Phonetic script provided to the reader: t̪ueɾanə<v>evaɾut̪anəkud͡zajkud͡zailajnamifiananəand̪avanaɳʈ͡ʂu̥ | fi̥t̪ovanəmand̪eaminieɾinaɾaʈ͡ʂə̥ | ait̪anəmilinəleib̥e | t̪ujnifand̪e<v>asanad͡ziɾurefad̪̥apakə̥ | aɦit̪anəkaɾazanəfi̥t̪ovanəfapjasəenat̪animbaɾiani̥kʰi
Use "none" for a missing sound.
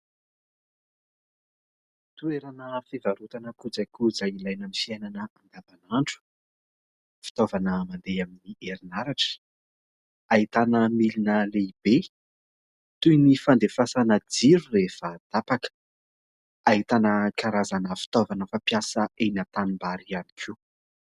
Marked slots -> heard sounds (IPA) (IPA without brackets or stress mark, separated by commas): f, f